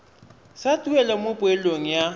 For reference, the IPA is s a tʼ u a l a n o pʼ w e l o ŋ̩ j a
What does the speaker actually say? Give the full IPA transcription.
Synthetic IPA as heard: s a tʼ u ɛ l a m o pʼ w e l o ŋ̩ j a